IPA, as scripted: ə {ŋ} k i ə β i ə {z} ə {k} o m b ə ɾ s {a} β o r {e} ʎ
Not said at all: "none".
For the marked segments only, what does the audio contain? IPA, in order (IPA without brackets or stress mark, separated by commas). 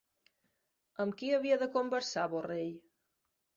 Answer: m, ð, k, a, e